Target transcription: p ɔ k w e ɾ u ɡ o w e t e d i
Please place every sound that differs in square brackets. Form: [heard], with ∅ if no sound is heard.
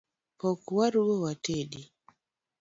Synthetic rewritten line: p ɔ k w [a] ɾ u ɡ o w [a] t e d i